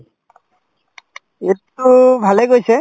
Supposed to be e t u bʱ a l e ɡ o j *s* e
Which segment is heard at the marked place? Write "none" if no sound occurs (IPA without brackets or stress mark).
s